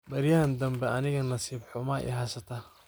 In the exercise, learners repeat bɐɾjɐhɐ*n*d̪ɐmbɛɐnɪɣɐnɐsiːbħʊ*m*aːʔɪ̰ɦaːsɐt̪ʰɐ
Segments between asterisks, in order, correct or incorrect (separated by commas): correct, correct